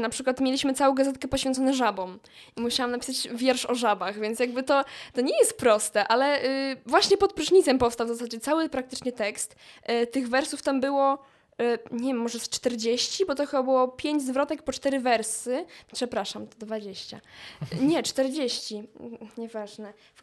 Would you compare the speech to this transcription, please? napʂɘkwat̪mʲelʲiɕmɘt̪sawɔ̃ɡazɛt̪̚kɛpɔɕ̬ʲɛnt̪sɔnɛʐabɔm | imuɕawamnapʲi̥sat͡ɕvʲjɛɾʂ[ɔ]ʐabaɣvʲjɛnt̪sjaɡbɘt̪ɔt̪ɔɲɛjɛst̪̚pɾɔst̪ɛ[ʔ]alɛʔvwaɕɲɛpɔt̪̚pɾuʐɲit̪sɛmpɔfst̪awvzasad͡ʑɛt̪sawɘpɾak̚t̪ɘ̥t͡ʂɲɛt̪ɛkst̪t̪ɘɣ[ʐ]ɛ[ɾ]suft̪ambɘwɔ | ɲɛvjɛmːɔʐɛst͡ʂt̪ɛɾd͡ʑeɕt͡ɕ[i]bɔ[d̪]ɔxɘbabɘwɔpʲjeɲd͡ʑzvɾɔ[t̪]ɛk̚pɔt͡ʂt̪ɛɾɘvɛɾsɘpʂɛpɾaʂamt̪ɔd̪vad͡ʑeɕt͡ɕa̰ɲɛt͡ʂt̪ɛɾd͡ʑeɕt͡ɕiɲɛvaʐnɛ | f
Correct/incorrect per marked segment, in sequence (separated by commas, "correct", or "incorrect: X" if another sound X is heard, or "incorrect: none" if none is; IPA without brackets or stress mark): correct, correct, incorrect: v, correct, correct, incorrect: t̪, correct